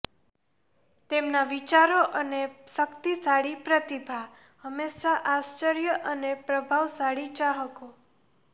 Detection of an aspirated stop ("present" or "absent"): absent